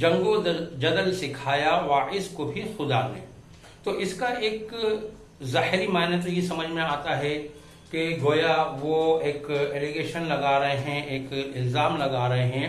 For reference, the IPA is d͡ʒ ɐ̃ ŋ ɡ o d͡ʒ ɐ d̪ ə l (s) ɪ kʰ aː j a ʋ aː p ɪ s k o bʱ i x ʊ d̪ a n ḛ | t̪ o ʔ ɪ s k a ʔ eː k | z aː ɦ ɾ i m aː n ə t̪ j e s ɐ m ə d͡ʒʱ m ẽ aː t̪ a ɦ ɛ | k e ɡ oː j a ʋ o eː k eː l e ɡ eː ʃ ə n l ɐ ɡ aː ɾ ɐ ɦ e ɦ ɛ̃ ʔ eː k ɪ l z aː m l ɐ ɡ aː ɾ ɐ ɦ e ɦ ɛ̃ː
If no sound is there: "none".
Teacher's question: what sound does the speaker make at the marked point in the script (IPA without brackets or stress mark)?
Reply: s